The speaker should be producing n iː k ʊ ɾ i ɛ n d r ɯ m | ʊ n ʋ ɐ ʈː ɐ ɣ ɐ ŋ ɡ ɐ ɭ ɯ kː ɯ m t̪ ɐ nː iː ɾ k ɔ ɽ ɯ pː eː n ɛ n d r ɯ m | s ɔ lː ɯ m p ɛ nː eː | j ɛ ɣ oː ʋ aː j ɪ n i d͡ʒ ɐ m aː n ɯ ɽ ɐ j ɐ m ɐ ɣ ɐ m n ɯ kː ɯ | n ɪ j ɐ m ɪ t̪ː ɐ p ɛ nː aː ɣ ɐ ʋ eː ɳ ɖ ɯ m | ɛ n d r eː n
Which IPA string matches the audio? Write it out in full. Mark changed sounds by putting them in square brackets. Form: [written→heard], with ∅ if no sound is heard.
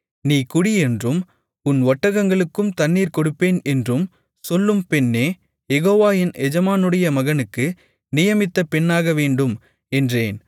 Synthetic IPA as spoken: n iː k ʊ [ɾ→ɽ] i ɛ n d r ɯ m | ʊ n ʋ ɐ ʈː ɐ ɣ ɐ ŋ ɡ ɐ ɭ ɯ kː ɯ m t̪ ɐ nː iː ɾ k ɔ ɽ ɯ pː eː n ɛ n d r ɯ m | s ɔ lː ɯ m p ɛ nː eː | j ɛ ɣ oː ʋ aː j ɪ n [i→ɛ] d͡ʒ ɐ m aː n ɯ ɽ ɐ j ɐ m ɐ ɣ ɐ [m→∅] n ɯ kː ɯ | n ɪ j ɐ m ɪ t̪ː ɐ p ɛ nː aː ɣ ɐ ʋ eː ɳ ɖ ɯ m | ɛ n d r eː n

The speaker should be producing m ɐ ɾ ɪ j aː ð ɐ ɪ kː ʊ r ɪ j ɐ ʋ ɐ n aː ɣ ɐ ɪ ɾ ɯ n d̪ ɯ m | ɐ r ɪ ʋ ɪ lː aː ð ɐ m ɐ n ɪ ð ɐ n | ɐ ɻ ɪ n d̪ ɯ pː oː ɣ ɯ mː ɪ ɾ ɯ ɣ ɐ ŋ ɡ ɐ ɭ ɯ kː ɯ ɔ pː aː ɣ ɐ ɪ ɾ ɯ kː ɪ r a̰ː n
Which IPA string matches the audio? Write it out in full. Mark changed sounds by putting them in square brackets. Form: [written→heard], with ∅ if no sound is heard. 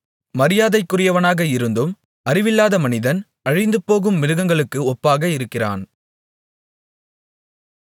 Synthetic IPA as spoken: m ɐ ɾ ɪ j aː ð ɐ ɪ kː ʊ r ɪ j ɐ ʋ ɐ n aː ɣ ɐ ɪ ɾ ɯ n d̪ ɯ m | ɐ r ɪ ʋ ɪ lː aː ð ɐ m ɐ n ɪ ð ɐ n | ɐ ɻ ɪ n d̪ ɯ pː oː ɣ ɯ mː ɪ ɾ ɯ ɣ ɐ ŋ ɡ ɐ ɭ ɯ kː ɯ ɔ pː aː ɣ ɐ ɪ ɾ ɯ kː ɪ r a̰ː n

